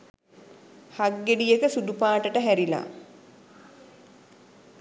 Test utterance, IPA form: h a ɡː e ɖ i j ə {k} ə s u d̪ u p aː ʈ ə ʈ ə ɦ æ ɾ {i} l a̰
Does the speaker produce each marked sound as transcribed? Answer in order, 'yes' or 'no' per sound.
yes, yes

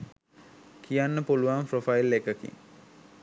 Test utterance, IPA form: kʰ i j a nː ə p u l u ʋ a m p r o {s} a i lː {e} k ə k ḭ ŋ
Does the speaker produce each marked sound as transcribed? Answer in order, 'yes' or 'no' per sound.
no, yes

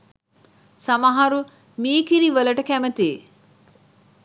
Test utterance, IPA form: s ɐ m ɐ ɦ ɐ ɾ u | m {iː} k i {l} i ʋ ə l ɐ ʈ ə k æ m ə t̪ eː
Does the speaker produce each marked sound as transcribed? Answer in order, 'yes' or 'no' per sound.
yes, no

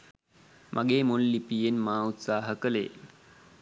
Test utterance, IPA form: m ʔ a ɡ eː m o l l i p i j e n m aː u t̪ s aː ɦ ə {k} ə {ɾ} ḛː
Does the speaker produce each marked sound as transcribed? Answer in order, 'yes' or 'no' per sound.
yes, no

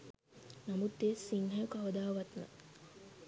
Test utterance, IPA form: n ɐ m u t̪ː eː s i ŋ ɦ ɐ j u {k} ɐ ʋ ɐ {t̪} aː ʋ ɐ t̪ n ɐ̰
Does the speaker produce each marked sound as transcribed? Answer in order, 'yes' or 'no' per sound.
yes, no

